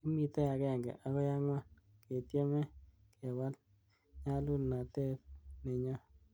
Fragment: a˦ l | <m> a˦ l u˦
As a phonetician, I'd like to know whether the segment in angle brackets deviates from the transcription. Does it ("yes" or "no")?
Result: yes